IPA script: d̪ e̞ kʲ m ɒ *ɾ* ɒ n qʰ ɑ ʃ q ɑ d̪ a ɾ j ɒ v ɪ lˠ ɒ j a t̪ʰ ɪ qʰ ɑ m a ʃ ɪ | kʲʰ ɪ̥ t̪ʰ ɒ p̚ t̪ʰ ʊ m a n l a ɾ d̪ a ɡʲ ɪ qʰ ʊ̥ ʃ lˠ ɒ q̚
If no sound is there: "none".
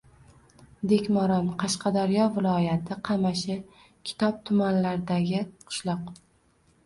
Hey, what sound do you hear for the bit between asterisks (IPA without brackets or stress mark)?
ɾ